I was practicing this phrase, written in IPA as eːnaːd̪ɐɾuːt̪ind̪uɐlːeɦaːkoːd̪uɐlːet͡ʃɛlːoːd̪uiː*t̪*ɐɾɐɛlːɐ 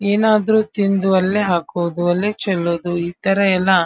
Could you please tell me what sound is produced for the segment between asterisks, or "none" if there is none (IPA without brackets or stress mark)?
t̪